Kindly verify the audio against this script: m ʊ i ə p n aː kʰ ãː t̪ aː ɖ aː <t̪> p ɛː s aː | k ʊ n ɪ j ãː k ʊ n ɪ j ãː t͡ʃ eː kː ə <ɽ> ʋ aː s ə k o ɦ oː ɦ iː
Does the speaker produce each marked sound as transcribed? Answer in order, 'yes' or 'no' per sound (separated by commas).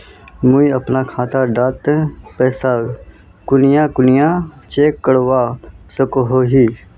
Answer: yes, yes